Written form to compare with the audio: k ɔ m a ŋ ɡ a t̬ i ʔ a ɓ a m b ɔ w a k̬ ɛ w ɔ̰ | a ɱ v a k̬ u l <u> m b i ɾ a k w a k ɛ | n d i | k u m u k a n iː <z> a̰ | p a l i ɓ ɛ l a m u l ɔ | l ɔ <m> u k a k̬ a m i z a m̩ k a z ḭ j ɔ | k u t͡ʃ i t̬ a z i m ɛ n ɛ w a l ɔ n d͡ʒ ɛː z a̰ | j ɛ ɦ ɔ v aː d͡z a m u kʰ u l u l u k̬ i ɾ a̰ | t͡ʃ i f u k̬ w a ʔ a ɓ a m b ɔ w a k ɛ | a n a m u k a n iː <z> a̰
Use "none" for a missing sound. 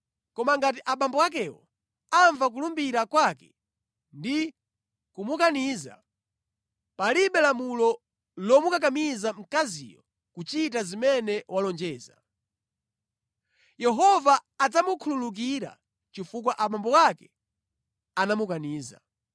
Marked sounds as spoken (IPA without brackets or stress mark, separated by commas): u, z, m, z